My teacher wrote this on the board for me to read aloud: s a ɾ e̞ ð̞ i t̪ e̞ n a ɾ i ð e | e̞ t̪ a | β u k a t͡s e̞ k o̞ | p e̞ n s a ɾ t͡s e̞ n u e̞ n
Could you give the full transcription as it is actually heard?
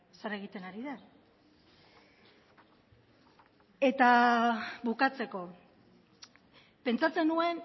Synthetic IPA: s a ɾ e̞ ɣ̞ i t̪ e̞ n a ɾ i ð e | e̞ t̪ a | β u k a t͡s e̞ k o̞ | p e̞ n t͡s a t͡s e̞ n u e̞ n